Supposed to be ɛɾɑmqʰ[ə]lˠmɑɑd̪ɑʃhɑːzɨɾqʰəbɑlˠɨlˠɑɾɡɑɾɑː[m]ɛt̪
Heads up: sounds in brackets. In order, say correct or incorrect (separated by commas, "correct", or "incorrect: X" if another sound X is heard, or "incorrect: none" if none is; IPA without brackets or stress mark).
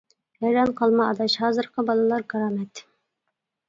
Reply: incorrect: ɑ, correct